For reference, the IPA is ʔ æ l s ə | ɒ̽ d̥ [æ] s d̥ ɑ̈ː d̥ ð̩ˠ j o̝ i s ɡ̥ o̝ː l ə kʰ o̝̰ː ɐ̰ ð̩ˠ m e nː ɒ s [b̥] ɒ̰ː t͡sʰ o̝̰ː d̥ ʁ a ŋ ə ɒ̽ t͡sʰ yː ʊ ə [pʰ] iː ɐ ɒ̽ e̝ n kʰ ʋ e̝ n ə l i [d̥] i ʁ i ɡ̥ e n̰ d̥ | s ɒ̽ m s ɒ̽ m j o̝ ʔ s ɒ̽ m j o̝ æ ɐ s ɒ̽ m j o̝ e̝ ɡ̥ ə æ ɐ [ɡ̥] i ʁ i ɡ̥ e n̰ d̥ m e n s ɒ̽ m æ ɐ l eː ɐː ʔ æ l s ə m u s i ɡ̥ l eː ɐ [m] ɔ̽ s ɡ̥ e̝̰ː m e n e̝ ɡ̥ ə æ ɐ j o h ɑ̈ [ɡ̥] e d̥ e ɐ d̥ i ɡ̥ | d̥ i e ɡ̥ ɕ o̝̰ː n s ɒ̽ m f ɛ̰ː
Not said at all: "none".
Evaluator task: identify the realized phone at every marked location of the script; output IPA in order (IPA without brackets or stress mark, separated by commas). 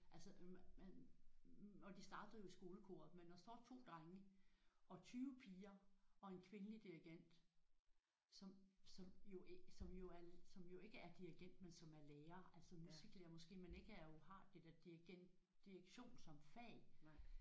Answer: i, d̥, pʰ, d̥, d̥, m, d̥